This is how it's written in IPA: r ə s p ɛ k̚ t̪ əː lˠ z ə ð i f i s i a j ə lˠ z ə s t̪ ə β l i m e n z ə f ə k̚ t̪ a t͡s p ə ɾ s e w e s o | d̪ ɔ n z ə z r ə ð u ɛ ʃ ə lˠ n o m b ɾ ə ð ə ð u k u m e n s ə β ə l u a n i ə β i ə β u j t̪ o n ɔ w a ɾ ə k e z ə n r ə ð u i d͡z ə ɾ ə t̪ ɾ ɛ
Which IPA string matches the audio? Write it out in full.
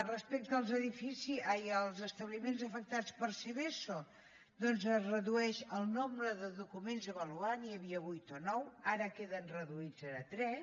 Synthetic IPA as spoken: r ə s p ɛ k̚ t̪ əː lˠ z ə ð i f i s i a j ə lˠ z ə s t̪ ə β l i m e n z ə f ə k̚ t̪ a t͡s p ə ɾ s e β e s o | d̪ ɔ n z ə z r ə ð u ɛ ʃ ə lˠ n o m b ɾ ə ð ə ð u k u m e n z ə β ə l u a n i ə β i ə β u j t̪ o n ɔ w a ɾ ə k e ð ə n r ə ð u i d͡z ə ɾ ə t̪ ɾ ɛ